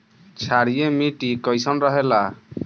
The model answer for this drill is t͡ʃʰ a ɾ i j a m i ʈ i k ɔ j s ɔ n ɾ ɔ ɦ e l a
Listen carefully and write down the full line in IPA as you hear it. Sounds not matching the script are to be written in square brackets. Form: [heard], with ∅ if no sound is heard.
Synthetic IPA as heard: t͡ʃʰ a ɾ i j [e] m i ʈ i k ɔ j s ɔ n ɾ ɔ ɦ e l a